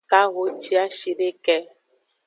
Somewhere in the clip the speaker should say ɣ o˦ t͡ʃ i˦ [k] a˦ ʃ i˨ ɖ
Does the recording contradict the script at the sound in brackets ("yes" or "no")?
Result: yes